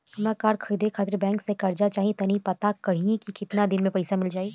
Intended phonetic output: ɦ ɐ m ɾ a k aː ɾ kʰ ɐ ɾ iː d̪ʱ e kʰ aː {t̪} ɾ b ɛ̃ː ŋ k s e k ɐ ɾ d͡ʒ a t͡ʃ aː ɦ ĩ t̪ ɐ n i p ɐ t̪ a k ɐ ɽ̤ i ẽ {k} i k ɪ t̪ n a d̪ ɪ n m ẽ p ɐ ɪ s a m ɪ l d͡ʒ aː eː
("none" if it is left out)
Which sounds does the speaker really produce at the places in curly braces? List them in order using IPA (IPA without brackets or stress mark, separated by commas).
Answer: t̪, k